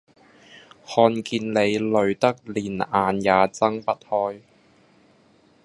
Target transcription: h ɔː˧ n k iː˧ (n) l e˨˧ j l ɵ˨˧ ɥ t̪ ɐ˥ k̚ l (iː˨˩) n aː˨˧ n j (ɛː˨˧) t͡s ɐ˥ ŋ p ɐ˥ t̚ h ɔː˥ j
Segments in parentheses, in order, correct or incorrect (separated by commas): correct, correct, incorrect